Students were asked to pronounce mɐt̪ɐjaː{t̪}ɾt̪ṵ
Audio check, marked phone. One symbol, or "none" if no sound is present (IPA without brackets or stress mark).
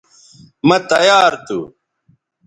none